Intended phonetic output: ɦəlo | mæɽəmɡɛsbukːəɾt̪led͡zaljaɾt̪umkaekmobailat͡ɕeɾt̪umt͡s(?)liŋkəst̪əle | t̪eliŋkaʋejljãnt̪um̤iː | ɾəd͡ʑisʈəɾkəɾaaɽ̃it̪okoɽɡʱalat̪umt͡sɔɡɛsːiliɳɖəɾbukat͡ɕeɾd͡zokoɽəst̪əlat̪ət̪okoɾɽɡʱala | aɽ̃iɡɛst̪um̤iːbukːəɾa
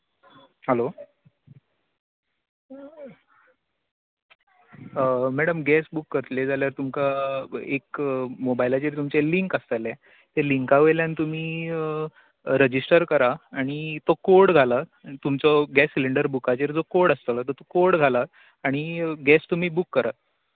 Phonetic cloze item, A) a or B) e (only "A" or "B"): B